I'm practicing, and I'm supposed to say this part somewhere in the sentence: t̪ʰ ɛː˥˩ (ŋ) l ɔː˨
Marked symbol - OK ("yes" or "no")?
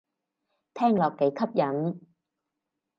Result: yes